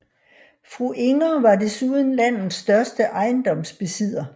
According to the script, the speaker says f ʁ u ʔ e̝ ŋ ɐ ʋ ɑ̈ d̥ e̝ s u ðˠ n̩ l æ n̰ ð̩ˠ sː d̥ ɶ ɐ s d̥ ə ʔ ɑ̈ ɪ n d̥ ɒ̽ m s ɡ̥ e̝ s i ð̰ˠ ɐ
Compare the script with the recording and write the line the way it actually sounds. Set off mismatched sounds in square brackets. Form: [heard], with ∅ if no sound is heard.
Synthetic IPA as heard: f ʁ u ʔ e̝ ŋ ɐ ʋ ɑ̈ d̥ e̝ s u ðˠ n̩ l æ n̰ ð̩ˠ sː d̥ ɶ ɐ s d̥ ə ʔ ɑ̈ ɪ n d̥ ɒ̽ m s [b̥] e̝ s i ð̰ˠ ɐ